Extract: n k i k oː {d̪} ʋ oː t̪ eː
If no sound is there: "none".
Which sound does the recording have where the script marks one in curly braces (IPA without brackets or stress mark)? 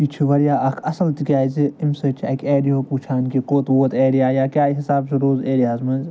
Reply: t̪